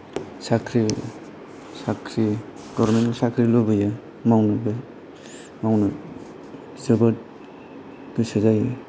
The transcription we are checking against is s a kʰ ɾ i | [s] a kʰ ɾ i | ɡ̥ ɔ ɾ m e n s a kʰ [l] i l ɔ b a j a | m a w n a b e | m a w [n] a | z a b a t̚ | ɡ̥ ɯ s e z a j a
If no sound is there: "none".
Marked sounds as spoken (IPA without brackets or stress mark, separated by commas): s, ɾ, n